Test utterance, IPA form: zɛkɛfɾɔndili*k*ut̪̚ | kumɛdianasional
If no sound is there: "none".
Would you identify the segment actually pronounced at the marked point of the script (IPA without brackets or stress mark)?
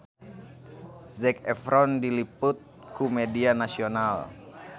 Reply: p